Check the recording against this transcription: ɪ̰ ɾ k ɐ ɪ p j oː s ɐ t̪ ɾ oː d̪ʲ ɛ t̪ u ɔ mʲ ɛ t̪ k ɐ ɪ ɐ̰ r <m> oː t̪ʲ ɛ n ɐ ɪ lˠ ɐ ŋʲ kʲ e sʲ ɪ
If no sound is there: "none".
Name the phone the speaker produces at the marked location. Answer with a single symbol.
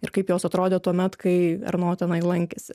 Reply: n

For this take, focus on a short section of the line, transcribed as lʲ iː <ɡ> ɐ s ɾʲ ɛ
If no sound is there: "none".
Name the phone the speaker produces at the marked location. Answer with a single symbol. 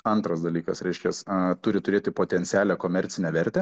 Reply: k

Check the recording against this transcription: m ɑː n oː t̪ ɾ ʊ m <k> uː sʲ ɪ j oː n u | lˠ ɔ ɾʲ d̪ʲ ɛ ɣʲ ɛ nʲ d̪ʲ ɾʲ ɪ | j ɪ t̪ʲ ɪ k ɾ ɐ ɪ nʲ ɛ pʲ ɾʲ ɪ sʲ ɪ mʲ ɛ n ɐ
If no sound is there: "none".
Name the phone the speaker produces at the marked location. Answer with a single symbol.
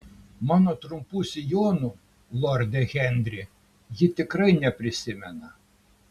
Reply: p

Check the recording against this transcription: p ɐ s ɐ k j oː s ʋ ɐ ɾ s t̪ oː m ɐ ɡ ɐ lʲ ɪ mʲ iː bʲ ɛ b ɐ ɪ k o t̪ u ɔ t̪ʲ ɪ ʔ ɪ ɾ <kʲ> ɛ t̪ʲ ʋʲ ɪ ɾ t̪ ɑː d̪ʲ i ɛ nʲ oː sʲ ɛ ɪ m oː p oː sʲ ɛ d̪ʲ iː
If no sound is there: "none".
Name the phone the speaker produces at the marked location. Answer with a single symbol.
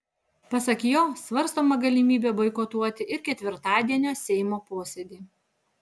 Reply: kʲ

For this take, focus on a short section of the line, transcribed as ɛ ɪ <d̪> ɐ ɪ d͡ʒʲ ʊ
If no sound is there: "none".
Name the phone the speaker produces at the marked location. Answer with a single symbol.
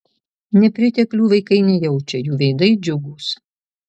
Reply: d̪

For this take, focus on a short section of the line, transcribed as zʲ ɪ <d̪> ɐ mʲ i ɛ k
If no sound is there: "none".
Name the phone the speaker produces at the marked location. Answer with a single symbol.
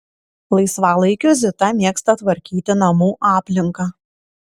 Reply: t̪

